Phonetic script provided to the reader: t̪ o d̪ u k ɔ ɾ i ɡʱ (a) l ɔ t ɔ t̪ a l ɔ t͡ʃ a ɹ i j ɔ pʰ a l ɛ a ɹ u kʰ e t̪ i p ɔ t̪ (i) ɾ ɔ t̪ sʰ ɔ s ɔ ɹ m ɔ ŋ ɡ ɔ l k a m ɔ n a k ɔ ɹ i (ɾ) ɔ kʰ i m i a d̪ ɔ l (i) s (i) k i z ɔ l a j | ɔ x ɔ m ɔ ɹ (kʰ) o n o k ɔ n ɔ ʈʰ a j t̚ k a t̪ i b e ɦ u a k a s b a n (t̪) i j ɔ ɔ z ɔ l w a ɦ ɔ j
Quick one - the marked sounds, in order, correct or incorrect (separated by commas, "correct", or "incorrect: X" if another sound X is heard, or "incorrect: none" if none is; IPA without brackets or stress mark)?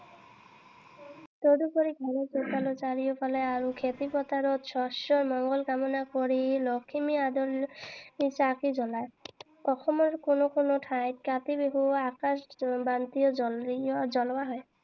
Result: correct, incorrect: a, incorrect: l, correct, incorrect: a, incorrect: k, correct